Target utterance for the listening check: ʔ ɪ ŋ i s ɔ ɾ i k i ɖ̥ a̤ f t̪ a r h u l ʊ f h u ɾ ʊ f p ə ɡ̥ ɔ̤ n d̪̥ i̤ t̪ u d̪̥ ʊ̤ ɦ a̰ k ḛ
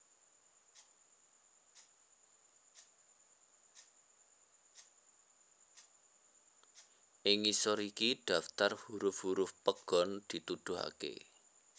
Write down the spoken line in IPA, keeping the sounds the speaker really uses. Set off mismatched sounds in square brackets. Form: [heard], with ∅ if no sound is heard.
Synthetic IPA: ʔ ɪ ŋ i s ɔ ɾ i k i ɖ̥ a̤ f t̪ a r h u [ɾ] ʊ f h u ɾ ʊ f p ə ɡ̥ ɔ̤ n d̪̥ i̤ t̪ u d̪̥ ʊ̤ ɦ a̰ k ḛ